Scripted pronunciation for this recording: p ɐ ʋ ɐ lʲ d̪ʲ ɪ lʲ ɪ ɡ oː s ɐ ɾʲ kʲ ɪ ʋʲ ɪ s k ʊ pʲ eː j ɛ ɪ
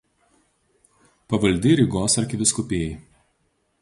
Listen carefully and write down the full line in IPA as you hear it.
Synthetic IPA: p ɐ ʋ ɐ lʲ d̪ʲ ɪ ɾʲ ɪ ɡ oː s ɐ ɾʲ kʲ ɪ ʋʲ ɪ s k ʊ pʲ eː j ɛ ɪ